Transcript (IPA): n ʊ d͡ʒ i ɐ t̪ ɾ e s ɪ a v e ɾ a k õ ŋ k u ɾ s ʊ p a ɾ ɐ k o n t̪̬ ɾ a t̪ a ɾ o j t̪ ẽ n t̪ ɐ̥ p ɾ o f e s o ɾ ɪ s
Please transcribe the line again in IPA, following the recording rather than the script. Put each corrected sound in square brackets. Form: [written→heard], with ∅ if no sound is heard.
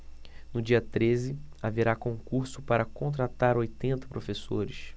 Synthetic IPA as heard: n ʊ d͡ʒ i ɐ t̪ ɾ e [s→z] ɪ a v e ɾ a k õ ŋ k u ɾ s ʊ p a ɾ ɐ k [o→õ] n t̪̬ ɾ a t̪ a ɾ o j t̪ ẽ n t̪ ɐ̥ p ɾ o f e s o ɾ ɪ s